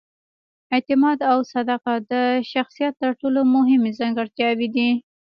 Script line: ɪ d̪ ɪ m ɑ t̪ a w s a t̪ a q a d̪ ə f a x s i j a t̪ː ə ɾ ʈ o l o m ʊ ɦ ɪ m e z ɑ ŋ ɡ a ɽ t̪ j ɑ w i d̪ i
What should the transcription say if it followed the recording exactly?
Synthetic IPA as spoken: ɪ t̪ ɪ m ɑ d̪ a w s a d̪ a q a d̪ ə ʃ a x s i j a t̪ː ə ɾ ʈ o l o m ʊ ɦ ɪ m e z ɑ ŋ ɡ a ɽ t̪ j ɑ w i d̪ i